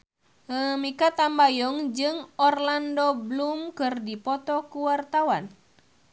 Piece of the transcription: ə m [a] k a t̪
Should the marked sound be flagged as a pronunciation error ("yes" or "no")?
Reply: yes